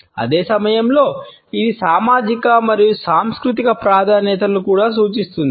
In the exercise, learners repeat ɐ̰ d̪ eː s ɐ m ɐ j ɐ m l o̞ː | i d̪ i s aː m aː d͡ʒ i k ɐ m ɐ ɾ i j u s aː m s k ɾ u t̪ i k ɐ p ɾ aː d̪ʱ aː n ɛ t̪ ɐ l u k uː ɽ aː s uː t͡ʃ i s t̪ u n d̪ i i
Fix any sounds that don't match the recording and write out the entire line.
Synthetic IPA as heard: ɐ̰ d̪ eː s ɐ m ɐ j ɐ m l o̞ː | i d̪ i s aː m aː d͡ʒ i k ɐ m ɐ ɾ i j u s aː m s k ɾ u t̪ i k ɐ p ɾ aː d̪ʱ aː n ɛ t̪ ɐ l u k uː ɽ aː s uː t͡ʃ i s t̪ u n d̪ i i